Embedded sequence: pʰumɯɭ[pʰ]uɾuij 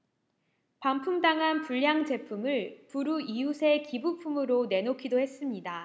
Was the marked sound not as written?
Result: yes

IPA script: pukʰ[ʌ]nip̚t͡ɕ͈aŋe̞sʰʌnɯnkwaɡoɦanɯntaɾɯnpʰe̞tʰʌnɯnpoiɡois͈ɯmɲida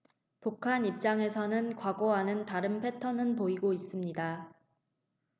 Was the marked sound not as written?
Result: yes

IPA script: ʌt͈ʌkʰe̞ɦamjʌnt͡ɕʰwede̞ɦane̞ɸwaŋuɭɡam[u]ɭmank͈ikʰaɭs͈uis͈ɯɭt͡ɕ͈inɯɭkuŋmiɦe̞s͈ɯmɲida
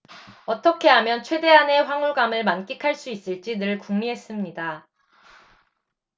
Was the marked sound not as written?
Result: yes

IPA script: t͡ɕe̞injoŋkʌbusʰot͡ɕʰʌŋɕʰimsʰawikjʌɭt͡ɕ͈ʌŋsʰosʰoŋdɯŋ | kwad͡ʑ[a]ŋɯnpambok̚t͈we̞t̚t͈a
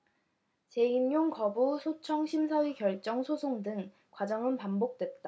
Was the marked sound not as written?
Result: yes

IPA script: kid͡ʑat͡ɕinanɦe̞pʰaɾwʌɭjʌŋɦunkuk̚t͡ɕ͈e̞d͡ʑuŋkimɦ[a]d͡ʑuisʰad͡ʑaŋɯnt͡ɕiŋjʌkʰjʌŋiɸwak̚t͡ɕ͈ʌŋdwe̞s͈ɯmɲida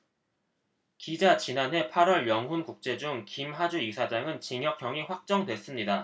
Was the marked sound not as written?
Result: no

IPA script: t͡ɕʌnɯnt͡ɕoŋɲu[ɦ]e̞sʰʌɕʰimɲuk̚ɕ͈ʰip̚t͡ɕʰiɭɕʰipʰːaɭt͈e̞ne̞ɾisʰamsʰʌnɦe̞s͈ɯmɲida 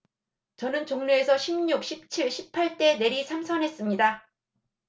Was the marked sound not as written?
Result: yes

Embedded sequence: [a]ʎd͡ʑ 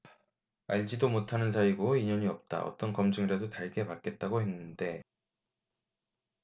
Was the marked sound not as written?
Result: no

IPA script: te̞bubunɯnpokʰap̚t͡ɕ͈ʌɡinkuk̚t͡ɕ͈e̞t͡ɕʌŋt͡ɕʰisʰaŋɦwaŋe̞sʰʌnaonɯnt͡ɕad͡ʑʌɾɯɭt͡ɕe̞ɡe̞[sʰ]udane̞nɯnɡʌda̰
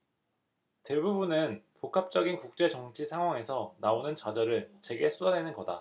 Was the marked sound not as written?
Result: no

